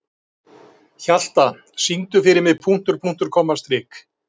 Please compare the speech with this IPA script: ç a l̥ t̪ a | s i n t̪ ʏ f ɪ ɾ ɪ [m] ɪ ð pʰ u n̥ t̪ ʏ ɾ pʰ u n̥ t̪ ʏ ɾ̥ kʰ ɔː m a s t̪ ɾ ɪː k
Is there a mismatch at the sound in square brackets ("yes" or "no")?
no